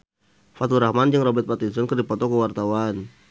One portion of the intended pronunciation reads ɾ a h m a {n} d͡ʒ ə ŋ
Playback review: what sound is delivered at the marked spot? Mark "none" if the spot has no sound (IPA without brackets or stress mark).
n